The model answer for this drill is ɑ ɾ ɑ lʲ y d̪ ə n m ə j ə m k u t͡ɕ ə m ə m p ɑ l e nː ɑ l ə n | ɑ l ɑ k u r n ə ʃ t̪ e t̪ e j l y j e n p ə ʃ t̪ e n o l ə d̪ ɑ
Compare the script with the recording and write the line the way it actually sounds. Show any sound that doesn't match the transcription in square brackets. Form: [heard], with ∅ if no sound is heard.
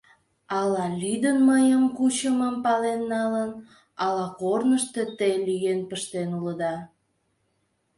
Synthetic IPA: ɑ [l] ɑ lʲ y d̪ ə n m ə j ə m k u t͡ɕ ə m ə m p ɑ l e nː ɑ l ə n | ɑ l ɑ k [o] r n ə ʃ t̪ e t̪ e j l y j e n p ə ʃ t̪ e n [u] l ə d̪ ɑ